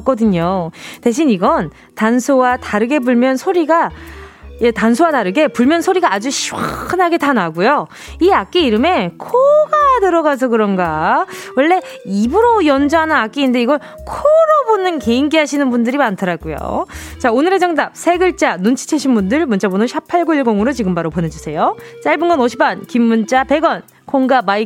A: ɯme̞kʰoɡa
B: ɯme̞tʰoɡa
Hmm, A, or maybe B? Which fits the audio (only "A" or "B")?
A